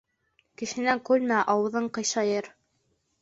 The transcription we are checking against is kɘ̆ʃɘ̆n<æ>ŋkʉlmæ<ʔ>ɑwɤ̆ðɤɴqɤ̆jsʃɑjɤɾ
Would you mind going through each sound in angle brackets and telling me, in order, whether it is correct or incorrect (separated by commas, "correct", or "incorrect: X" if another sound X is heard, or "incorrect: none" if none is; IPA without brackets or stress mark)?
correct, correct